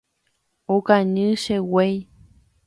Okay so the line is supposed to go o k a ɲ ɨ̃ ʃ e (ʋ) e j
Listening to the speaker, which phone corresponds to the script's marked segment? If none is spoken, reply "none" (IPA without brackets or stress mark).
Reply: w